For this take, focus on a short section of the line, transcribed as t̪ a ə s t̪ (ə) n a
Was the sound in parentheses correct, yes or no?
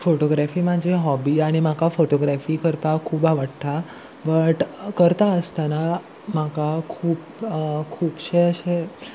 no